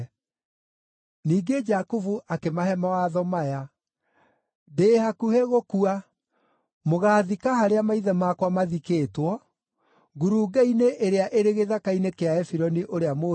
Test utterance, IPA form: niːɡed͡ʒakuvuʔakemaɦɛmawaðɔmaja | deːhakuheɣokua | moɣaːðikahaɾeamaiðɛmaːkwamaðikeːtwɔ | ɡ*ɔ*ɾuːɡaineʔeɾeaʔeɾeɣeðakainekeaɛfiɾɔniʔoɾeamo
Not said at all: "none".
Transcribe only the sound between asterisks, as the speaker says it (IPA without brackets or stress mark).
u